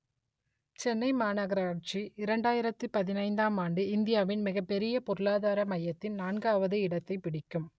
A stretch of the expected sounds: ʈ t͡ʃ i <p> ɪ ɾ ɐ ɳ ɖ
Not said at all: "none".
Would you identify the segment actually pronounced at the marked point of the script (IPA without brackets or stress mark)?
none